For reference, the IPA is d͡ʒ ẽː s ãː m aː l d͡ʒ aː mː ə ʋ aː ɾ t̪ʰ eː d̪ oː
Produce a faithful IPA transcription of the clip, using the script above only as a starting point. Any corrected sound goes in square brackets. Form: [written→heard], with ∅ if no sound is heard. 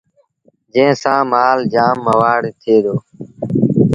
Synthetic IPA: d͡ʒ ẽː s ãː m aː l d͡ʒ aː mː ə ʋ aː [ɾ→ɽ] t̪ʰ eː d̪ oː